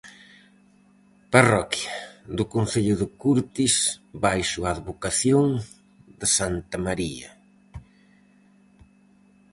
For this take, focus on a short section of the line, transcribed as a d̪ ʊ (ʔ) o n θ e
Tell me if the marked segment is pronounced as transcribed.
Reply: no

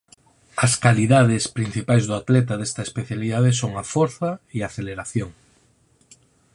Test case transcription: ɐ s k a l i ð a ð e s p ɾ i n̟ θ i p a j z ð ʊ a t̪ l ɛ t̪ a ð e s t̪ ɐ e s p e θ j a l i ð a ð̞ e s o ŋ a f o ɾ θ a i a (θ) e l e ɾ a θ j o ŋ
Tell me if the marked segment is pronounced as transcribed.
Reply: yes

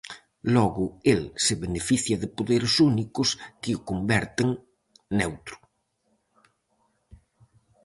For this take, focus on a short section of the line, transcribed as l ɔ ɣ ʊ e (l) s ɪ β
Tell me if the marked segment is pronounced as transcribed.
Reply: yes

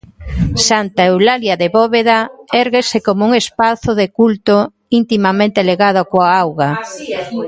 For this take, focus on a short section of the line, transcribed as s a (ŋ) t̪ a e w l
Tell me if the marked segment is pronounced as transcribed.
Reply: no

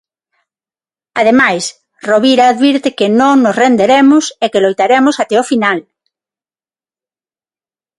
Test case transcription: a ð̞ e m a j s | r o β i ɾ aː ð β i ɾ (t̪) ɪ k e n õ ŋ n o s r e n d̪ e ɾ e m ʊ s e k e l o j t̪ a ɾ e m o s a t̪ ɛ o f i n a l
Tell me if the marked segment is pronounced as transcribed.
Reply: yes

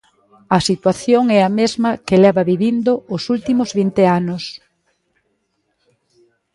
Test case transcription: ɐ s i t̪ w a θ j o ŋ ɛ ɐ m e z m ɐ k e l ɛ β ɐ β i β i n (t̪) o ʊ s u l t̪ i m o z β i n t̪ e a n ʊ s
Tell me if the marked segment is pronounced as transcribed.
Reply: no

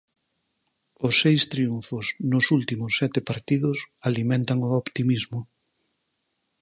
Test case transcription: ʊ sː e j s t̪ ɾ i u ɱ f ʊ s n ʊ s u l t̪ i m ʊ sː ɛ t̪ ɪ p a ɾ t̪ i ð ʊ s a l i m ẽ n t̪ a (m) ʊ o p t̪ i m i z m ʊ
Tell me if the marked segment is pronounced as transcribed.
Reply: no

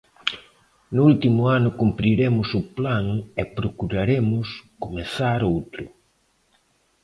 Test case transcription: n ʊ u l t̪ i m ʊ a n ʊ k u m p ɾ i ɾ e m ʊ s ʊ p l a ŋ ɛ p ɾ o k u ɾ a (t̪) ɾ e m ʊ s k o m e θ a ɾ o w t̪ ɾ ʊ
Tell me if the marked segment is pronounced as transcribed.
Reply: no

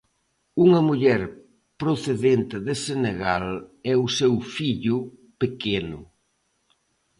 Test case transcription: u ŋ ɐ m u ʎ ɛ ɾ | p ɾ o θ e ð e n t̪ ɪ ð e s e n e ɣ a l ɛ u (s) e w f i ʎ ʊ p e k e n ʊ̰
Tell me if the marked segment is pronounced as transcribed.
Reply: yes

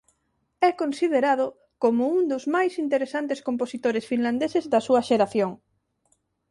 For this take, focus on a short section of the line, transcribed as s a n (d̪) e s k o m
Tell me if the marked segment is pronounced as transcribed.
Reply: no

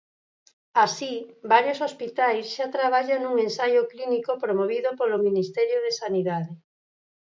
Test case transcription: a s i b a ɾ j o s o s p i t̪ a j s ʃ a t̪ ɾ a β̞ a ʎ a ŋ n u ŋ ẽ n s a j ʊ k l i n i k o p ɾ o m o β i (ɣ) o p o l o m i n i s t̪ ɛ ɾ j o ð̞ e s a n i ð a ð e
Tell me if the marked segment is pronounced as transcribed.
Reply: no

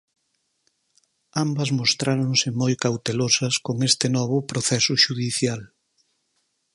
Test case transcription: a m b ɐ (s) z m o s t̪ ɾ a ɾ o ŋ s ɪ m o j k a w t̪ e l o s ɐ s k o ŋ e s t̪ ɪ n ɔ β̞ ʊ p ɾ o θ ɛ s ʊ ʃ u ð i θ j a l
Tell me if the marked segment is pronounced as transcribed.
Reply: no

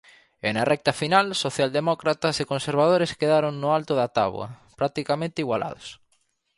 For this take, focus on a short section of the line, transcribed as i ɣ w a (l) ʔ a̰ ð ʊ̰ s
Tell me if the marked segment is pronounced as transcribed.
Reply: yes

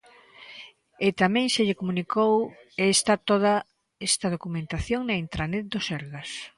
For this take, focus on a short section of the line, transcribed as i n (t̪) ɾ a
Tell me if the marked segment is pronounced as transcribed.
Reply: yes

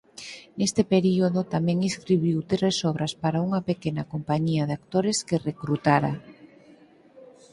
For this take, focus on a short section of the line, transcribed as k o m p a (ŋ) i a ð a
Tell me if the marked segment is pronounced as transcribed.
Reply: no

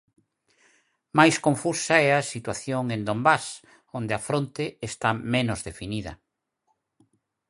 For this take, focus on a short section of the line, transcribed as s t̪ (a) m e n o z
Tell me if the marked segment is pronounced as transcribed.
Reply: yes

